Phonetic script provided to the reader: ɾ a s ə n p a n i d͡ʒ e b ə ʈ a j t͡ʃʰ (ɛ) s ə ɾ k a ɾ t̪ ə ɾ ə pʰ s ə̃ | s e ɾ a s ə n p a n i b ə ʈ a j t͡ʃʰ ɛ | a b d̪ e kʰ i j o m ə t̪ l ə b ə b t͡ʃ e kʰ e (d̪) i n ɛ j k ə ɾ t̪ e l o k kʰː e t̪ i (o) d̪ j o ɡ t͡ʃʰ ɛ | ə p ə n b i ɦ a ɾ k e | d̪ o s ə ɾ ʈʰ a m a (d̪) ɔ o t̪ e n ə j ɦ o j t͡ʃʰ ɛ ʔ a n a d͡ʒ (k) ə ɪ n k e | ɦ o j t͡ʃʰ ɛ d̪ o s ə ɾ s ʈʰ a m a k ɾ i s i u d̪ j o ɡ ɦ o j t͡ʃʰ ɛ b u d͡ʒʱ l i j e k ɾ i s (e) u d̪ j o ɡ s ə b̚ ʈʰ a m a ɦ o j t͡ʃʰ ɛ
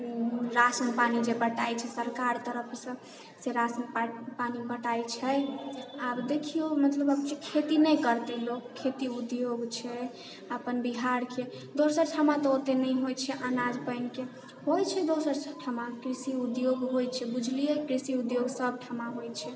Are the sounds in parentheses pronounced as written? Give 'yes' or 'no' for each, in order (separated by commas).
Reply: yes, no, no, no, no, no